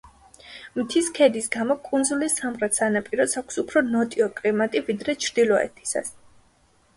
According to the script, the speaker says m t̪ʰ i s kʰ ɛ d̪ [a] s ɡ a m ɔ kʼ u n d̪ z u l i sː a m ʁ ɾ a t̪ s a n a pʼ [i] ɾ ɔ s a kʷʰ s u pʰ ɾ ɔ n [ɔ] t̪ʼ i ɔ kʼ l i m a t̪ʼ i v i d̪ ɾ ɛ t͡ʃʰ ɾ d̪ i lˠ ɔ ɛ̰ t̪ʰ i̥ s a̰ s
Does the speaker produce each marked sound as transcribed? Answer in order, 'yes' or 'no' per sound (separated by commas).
no, yes, yes